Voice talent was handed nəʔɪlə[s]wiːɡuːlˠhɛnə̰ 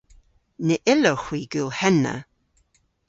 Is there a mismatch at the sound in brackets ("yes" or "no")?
yes